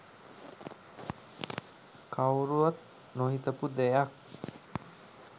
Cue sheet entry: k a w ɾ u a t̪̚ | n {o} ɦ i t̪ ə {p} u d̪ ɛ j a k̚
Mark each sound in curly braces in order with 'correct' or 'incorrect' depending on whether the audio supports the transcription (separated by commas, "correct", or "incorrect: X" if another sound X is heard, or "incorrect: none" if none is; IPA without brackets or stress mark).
correct, correct